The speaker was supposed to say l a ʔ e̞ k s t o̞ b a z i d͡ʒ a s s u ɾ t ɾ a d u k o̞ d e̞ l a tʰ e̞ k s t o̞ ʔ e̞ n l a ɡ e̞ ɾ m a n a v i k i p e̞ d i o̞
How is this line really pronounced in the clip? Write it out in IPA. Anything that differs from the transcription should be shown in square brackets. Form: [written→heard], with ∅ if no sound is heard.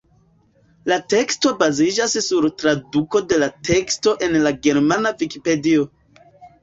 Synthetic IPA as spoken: l a [ʔ→t] e̞ k s t o̞ b a z i d͡ʒ a s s u ɾ t ɾ a d u k o̞ d e̞ l a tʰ e̞ k s t o̞ ʔ e̞ n l a ɡ e̞ ɾ m a n a v i k i p e̞ d i o̞